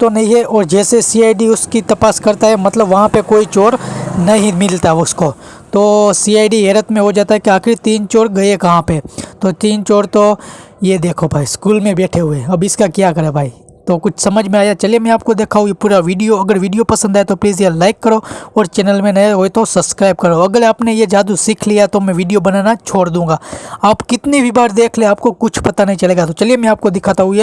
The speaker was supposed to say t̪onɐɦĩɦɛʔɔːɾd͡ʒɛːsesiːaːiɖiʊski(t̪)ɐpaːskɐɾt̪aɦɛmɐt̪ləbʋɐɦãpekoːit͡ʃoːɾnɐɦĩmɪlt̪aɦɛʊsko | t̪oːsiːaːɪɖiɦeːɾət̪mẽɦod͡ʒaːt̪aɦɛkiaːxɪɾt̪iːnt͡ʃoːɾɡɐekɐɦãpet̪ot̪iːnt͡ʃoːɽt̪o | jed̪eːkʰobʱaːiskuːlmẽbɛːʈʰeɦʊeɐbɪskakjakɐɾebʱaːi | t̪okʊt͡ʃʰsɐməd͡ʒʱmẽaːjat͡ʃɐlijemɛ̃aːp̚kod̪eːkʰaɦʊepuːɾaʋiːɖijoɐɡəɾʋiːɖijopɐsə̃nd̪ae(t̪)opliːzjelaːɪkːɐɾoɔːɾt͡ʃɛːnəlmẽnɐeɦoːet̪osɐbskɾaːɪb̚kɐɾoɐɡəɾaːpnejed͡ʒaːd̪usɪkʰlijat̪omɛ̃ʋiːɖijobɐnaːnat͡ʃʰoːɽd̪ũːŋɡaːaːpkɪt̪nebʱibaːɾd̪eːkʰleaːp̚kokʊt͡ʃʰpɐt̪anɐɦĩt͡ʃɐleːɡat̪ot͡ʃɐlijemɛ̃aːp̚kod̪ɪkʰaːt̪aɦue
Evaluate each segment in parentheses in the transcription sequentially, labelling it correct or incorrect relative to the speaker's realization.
correct, correct

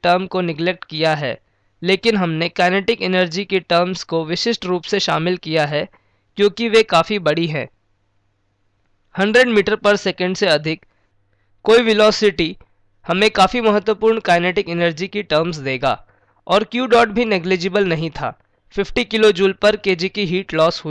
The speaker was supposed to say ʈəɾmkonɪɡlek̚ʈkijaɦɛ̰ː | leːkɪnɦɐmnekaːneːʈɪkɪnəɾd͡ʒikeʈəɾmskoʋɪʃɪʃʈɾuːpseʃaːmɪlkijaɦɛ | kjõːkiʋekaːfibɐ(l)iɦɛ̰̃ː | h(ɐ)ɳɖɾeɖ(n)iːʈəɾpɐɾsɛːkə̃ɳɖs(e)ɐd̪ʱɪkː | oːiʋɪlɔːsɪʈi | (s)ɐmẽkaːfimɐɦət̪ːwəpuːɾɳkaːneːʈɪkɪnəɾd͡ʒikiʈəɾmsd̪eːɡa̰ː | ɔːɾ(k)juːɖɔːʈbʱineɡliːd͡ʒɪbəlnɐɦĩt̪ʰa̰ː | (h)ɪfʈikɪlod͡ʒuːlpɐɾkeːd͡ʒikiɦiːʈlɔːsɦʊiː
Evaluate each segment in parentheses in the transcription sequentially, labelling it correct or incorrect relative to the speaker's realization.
incorrect: ɽ, incorrect: ɐ̃, incorrect: m, correct, incorrect: h, correct, incorrect: f

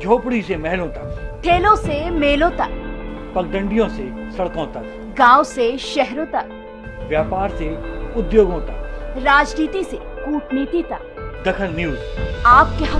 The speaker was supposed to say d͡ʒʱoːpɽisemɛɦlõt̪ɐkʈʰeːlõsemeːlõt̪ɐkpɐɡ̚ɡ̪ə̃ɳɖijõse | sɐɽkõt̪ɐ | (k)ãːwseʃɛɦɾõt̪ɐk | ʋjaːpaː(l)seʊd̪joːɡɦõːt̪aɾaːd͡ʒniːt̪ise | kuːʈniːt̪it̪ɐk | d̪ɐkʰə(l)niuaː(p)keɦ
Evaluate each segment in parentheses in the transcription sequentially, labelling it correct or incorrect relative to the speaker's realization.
incorrect: ɡ, incorrect: ɾ, correct, correct

